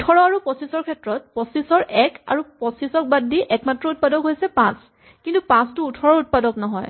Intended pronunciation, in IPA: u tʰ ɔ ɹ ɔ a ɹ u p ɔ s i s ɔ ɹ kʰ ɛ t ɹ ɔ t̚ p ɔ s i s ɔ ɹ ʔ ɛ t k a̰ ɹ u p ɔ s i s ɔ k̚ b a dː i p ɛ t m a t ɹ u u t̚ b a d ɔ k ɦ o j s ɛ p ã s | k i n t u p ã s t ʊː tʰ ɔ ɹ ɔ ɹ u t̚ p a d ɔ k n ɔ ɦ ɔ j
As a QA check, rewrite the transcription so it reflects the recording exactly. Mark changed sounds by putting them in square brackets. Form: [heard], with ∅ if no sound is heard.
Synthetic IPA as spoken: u tʰ ɔ ɹ ɔ a ɹ u p ɔ s i s ɔ ɹ kʰ ɛ t ɹ ɔ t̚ p ɔ s i s ɔ ɹ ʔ ɛ [∅] k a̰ ɹ u p ɔ s i s ɔ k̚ b a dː i [ʔ] ɛ [k] m a t ɹ [ɔ] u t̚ [p] a d ɔ k ɦ o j s ɛ p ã s | k i n t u p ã s t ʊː tʰ ɔ ɹ ɔ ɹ u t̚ p a d ɔ k n ɔ ɦ ɔ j